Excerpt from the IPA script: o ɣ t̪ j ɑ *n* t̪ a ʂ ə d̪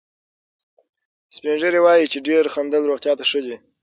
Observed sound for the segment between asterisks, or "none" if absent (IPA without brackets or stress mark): none